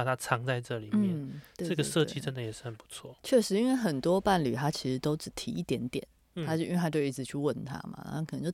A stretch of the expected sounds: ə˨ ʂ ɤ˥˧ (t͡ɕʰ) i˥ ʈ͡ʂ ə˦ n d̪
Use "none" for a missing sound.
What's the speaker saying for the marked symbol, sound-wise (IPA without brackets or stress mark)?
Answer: t͡ɕ